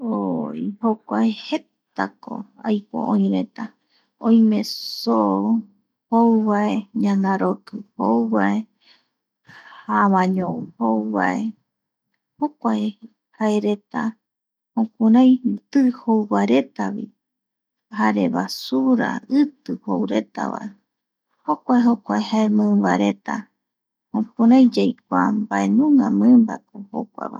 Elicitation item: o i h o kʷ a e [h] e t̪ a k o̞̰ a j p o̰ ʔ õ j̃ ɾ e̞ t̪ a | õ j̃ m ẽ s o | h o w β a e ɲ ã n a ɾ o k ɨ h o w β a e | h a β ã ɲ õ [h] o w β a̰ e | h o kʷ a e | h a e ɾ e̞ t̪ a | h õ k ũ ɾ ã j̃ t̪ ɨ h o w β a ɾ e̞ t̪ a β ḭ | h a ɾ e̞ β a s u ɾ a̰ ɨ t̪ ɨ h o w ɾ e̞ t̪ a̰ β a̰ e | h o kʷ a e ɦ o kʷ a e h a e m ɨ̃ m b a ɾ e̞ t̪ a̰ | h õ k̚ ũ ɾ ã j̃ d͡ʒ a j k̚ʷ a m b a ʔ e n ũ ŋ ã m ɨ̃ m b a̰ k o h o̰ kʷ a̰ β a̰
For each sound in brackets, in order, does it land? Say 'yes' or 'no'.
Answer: yes, yes

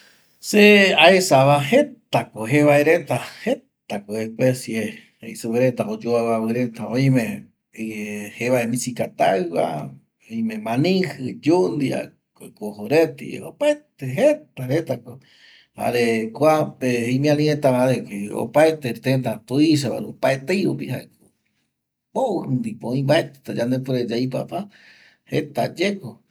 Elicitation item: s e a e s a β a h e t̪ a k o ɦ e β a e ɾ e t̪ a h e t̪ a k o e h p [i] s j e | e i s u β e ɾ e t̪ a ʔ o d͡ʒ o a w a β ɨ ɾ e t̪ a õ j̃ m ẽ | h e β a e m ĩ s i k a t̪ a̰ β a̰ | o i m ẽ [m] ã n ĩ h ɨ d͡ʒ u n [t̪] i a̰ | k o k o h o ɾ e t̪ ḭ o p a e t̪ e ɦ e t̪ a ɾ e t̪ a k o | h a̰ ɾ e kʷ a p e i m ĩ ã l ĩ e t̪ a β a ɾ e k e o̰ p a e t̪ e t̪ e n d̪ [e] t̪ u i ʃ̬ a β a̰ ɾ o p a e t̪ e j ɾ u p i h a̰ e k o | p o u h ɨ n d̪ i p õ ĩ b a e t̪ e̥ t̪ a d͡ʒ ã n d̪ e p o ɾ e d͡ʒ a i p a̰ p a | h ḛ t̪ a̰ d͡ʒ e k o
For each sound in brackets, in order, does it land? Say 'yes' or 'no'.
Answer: no, yes, no, no

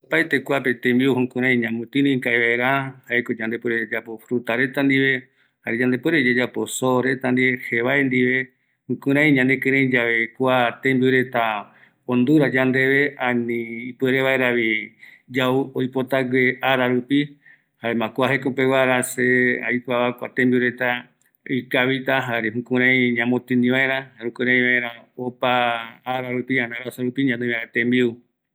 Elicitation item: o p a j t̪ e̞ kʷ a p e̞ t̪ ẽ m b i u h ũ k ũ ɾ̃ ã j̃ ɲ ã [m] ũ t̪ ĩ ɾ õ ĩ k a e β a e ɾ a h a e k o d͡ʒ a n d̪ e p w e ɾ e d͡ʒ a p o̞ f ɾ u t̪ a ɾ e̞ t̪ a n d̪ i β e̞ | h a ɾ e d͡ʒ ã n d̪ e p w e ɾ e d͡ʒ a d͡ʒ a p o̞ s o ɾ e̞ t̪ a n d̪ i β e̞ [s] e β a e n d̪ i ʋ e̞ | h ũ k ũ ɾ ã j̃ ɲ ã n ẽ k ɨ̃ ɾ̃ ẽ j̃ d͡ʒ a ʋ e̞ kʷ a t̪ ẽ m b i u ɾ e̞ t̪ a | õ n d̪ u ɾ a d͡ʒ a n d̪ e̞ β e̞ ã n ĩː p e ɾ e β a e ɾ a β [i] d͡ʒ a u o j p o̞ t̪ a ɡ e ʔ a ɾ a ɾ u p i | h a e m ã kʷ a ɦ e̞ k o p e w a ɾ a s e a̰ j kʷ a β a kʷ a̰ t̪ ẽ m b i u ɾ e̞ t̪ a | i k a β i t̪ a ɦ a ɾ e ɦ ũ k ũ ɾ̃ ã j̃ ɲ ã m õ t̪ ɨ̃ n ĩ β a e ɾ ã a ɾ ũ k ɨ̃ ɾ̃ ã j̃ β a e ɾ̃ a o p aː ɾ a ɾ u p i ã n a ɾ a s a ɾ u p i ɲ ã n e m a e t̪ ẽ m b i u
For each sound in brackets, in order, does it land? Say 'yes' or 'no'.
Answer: yes, no, yes

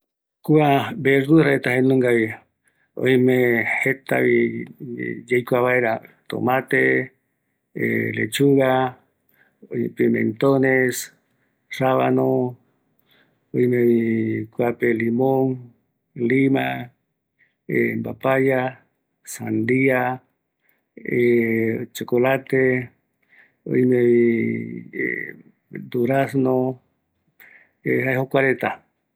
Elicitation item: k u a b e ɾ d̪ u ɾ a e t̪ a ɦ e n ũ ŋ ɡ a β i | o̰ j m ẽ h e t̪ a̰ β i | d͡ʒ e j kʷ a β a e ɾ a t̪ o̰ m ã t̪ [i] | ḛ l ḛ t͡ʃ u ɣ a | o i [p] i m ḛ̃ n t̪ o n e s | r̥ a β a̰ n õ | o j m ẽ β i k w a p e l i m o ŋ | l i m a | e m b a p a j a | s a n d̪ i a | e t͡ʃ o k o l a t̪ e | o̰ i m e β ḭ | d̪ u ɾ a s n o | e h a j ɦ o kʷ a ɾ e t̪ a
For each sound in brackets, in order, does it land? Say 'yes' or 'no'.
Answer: no, yes

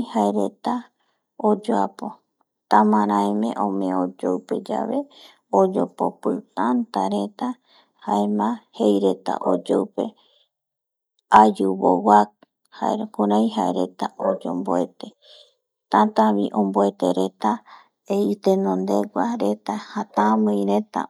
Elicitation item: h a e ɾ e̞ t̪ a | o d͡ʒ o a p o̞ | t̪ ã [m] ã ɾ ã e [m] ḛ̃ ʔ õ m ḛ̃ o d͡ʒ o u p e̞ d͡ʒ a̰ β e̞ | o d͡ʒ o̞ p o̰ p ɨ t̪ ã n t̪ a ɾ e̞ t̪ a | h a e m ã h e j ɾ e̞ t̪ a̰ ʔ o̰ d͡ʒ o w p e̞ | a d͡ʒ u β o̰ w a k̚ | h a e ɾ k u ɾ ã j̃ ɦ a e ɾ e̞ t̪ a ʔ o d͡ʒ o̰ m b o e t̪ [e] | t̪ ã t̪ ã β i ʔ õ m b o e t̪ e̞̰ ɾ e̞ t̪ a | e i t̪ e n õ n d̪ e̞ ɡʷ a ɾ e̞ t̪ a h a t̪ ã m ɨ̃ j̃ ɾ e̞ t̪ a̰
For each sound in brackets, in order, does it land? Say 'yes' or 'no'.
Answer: yes, yes, yes

